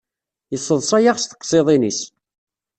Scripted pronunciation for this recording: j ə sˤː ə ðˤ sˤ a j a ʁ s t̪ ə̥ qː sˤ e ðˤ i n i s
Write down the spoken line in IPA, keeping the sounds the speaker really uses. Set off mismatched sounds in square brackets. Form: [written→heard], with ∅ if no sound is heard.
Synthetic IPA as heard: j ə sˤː ə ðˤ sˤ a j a ʁ s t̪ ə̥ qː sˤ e ðˤ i n i s